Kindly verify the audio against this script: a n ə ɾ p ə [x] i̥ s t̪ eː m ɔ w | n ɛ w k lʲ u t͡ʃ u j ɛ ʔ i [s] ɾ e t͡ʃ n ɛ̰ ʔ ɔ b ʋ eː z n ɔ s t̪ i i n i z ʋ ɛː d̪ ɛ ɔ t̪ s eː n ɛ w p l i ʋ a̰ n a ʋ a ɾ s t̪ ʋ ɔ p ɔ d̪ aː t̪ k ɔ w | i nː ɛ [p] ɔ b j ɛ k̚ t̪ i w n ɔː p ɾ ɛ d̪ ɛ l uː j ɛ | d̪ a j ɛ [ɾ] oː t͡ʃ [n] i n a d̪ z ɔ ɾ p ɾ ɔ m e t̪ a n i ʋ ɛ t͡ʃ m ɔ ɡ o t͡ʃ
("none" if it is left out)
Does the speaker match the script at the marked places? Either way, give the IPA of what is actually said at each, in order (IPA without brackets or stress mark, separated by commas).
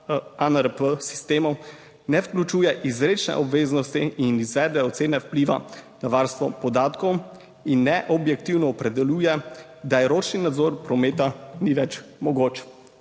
s, z, ʔ, ɾ, n